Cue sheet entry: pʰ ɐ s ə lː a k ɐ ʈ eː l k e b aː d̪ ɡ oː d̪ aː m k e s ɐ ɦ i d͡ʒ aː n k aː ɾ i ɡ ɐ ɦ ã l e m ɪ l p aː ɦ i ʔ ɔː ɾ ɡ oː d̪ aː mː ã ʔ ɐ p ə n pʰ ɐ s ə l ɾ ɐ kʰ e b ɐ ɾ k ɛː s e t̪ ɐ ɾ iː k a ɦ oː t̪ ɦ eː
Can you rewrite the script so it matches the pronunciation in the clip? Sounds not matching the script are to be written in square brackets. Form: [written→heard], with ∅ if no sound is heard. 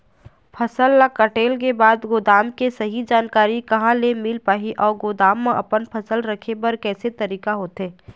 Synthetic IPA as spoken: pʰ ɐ s ə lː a k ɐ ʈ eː l k e b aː d̪ ɡ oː d̪ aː m k e s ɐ ɦ i d͡ʒ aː n k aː ɾ i [ɡ→k] ɐ ɦ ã l e m ɪ l p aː ɦ i ʔ ɔː ɾ ɡ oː d̪ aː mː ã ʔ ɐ p ə n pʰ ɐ s ə l ɾ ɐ kʰ e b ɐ ɾ k ɛː s e t̪ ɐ ɾ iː k a ɦ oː t̪ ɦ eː